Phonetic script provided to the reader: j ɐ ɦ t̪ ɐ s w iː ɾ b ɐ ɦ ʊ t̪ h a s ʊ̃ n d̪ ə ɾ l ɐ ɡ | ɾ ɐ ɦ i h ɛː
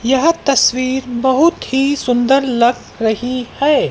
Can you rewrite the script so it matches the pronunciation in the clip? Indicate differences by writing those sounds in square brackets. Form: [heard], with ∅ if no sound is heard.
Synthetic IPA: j ɐ ɦ t̪ ɐ s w iː ɾ b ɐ ɦ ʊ t̪ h [i] s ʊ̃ n d̪ ə ɾ l ɐ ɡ | ɾ ɐ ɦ i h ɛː